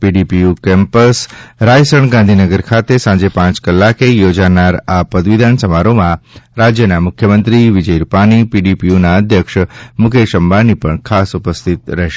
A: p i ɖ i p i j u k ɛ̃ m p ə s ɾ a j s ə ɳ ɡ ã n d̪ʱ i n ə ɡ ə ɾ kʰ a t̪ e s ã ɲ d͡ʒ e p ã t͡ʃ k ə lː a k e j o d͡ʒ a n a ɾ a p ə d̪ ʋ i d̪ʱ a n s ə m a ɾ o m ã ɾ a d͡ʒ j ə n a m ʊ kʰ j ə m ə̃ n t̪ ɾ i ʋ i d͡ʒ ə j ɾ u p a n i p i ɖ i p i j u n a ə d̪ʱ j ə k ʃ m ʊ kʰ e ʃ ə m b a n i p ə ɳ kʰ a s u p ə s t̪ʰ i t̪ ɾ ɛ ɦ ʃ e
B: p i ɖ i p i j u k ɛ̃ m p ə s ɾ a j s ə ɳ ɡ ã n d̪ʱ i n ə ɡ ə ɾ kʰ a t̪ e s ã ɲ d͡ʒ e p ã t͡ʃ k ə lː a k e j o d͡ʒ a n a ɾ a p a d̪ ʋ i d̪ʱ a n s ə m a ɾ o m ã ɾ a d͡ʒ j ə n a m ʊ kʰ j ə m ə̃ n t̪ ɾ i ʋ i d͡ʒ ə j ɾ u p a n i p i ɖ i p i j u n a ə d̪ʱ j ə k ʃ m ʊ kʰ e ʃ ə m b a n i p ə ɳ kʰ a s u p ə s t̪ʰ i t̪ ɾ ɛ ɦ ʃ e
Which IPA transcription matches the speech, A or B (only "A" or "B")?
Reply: A